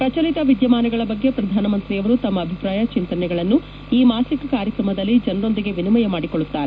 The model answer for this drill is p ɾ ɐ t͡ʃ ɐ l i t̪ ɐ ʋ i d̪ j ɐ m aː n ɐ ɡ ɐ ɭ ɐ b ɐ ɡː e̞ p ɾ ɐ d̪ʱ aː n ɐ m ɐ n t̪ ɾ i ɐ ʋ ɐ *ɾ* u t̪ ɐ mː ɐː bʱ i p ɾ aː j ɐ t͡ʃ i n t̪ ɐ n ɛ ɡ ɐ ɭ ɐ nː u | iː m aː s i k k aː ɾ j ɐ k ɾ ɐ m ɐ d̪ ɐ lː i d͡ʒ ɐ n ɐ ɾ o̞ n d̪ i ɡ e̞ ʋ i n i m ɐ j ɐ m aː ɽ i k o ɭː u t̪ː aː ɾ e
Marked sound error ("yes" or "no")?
no